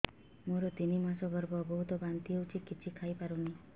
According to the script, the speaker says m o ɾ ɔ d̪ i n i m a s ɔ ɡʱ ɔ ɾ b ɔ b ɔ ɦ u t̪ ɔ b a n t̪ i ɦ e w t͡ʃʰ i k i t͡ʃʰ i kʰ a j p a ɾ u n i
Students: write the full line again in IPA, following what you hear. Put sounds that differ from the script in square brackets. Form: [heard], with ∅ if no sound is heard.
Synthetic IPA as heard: m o ɾ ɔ [t̪] i n i m a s ɔ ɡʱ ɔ ɾ b ɔ b ɔ ɦ u t̪ ɔ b a n t̪ i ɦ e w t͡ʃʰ i k i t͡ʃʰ i kʰ a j p a ɾ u n i